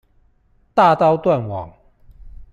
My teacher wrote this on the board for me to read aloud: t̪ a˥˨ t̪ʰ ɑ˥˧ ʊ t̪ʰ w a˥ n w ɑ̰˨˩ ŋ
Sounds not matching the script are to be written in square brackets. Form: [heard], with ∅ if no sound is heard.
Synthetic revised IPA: t̪ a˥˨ [t̪] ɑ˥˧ ʊ [t̪] w [a˥˨] n w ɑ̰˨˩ ŋ